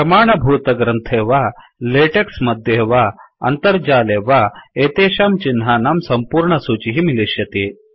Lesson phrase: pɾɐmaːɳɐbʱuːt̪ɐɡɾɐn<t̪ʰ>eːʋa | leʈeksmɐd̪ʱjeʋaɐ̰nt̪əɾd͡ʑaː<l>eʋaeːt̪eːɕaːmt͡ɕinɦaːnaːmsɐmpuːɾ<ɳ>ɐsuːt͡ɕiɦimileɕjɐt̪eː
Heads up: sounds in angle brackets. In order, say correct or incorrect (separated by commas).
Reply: correct, correct, correct